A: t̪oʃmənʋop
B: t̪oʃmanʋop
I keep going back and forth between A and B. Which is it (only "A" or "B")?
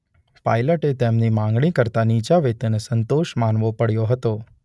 B